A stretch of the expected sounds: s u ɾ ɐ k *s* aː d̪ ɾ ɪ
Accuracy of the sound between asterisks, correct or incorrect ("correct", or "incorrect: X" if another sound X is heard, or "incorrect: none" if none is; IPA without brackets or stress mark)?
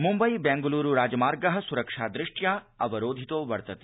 incorrect: ʂ